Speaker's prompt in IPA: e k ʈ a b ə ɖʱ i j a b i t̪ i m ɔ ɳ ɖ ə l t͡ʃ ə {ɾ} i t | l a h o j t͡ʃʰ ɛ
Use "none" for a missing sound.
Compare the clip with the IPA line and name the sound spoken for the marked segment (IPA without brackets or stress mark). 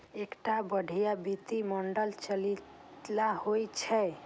l